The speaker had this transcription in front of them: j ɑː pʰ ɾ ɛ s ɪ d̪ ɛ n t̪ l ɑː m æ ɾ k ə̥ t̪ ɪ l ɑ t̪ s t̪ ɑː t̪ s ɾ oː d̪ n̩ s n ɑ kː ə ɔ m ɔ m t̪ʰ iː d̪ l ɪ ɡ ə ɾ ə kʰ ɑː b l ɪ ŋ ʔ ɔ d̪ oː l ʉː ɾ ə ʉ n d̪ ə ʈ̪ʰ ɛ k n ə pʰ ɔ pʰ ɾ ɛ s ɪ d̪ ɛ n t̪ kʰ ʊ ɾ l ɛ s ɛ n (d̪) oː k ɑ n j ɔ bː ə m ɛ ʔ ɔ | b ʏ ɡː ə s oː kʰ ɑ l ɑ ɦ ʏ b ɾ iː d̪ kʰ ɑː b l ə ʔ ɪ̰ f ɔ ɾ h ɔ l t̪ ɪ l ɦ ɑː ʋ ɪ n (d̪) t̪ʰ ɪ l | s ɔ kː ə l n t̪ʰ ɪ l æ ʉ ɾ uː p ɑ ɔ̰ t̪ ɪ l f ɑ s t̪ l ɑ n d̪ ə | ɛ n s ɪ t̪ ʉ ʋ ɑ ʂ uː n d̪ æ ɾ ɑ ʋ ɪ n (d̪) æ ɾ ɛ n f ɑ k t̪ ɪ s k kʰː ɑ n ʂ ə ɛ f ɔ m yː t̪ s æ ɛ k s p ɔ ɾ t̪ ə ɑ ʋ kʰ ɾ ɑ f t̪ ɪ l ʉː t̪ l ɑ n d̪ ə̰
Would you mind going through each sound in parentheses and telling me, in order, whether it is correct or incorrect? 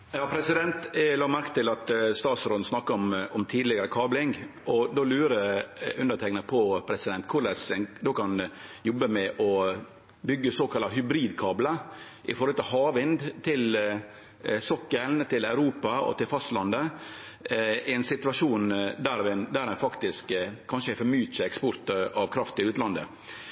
correct, correct, correct

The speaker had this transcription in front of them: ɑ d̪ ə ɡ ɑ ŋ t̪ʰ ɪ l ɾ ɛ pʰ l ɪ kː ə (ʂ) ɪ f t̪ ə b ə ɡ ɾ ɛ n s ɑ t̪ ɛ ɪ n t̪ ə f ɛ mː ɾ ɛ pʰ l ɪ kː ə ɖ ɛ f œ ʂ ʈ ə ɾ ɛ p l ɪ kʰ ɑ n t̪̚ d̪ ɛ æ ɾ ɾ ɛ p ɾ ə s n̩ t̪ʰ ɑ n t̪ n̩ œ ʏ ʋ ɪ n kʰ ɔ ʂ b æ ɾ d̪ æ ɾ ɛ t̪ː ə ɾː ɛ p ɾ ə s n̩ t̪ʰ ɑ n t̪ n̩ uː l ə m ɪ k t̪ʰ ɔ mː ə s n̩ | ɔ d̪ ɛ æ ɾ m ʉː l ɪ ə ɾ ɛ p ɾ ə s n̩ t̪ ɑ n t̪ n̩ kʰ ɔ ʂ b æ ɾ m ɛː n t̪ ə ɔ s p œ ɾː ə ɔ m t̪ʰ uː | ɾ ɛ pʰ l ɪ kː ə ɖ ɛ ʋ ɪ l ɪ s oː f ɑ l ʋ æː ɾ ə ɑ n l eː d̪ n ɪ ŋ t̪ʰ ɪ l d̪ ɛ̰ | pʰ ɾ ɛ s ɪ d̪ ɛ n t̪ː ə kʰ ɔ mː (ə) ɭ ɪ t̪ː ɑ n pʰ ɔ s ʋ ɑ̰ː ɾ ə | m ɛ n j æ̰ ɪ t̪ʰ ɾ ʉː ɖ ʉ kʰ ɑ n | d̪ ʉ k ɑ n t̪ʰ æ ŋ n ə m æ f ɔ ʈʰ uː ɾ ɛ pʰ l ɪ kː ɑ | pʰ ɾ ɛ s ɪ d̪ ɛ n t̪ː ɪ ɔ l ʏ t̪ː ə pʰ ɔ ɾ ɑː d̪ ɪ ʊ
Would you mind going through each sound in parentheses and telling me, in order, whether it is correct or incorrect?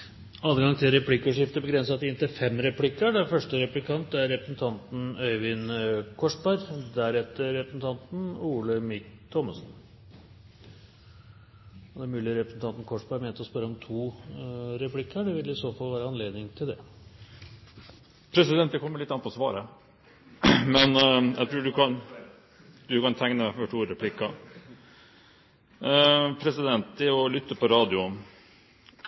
correct, correct

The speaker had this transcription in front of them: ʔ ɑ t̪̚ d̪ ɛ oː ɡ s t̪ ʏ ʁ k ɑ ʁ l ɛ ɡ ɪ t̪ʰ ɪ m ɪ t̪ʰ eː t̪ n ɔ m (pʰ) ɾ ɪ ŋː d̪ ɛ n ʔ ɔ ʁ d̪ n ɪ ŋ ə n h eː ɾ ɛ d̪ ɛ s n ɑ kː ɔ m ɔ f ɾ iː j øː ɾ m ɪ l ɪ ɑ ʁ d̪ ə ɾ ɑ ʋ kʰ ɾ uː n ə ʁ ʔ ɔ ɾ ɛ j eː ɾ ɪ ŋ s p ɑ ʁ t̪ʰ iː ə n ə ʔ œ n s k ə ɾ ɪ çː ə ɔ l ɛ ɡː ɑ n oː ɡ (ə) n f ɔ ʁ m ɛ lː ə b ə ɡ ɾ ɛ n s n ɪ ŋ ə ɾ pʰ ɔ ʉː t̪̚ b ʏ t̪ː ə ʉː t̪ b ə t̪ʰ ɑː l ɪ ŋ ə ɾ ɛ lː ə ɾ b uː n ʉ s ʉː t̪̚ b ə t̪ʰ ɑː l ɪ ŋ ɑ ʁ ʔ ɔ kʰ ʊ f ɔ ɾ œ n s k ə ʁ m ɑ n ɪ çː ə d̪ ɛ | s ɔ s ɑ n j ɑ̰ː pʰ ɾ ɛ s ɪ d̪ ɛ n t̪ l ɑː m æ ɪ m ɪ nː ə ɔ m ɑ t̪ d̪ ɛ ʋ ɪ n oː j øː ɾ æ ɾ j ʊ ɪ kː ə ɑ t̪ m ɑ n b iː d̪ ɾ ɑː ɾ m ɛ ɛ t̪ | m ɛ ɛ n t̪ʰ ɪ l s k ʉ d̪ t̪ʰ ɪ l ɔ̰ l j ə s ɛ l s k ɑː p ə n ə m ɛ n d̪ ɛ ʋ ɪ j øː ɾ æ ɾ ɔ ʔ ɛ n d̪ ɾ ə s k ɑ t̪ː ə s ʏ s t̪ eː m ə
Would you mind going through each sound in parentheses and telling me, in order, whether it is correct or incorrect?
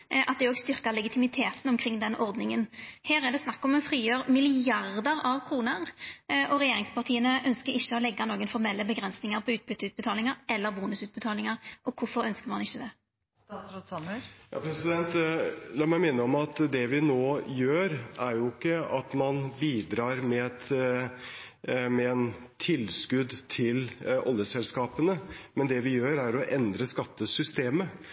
incorrect: kʰ, correct

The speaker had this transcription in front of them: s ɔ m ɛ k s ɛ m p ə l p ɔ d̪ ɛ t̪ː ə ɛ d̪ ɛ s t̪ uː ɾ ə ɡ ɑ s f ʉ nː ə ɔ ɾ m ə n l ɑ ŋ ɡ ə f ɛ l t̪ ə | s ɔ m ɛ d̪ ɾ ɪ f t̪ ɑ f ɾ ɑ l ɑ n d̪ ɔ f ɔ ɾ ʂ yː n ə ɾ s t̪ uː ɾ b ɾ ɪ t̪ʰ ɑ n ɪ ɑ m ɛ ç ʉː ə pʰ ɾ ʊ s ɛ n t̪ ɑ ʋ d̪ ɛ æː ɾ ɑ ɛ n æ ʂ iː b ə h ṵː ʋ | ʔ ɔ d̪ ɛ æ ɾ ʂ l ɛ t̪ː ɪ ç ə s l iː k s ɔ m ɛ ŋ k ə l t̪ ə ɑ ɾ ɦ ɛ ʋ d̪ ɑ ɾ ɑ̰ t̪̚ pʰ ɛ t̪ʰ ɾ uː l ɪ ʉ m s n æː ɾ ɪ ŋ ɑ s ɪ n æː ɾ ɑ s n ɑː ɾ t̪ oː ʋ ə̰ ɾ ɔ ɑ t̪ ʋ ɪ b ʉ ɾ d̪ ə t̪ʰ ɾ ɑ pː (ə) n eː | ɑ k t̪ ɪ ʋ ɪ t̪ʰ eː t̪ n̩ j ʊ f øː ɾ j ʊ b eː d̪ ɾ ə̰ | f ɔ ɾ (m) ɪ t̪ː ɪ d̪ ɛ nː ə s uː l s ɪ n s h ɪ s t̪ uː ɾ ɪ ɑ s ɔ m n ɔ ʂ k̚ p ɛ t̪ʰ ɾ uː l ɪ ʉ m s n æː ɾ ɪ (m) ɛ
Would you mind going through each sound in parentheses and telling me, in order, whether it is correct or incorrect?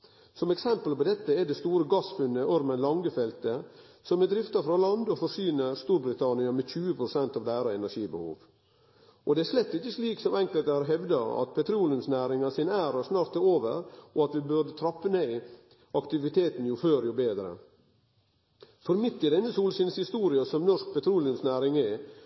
correct, correct, incorrect: ŋ

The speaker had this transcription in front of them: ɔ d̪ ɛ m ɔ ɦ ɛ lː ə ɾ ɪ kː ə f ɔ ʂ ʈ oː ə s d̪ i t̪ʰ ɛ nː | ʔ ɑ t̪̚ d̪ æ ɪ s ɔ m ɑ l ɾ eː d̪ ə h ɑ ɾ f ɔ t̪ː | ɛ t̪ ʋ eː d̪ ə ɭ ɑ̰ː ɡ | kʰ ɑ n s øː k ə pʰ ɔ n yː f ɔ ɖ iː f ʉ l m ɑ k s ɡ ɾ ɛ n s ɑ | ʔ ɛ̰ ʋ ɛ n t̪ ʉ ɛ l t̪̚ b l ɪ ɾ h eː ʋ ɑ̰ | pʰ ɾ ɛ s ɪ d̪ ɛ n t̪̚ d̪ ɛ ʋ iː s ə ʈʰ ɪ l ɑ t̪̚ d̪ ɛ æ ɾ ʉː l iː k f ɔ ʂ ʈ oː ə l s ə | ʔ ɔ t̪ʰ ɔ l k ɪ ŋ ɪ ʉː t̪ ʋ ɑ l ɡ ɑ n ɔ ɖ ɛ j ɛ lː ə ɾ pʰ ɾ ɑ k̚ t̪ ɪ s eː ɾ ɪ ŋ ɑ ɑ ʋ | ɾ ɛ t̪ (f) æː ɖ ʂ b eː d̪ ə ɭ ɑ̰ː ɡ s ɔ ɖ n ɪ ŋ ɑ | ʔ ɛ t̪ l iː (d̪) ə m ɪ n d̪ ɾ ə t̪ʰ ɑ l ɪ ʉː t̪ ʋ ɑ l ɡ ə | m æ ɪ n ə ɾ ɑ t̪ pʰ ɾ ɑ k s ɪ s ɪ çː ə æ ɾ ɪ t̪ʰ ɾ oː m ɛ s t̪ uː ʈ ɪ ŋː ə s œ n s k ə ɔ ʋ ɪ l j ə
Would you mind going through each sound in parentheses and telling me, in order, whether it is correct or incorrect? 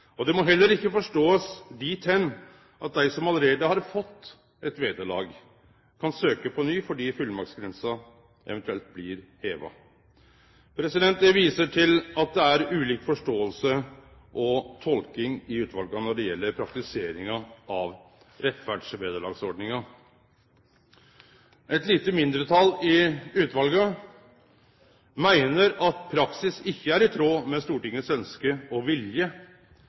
correct, incorrect: t̪

